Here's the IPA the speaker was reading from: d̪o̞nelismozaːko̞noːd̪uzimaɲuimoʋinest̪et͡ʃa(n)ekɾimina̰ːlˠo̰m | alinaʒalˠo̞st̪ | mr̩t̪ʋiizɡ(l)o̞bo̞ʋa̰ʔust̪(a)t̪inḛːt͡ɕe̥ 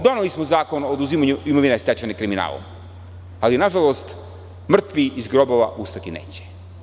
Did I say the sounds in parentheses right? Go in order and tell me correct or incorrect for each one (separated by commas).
correct, incorrect, correct